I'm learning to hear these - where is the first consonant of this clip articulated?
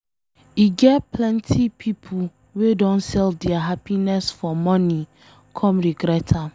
velum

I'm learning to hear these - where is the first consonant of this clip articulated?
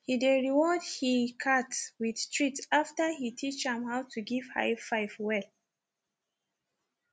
throat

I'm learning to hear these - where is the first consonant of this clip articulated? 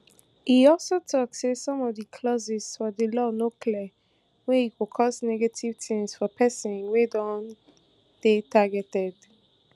throat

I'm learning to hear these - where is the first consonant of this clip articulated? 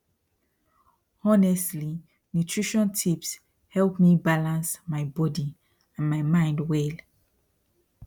tongue tip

